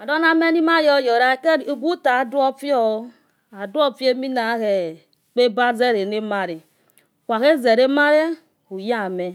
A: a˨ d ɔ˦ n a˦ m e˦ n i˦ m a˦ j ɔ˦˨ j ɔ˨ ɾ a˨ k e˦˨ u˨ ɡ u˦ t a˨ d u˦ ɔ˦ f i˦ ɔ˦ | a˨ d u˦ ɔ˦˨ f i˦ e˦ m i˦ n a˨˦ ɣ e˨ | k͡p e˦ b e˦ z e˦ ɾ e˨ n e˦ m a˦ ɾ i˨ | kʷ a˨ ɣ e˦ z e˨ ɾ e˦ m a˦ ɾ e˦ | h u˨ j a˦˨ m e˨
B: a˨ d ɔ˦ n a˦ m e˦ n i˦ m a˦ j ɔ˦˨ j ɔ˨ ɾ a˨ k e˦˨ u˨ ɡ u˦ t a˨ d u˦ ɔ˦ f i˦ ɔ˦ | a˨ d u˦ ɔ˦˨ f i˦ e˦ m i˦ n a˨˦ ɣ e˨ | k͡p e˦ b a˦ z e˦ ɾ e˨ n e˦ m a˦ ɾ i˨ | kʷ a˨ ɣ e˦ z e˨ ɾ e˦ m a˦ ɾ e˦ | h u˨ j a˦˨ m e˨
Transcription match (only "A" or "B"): B